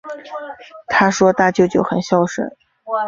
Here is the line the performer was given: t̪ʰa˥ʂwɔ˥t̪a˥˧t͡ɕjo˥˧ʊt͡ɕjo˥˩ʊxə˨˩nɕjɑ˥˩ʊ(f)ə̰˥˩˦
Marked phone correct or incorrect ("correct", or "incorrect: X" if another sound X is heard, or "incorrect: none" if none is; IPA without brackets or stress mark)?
incorrect: ʂ